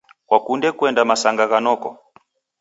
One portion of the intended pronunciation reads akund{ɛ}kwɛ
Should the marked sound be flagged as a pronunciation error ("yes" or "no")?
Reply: no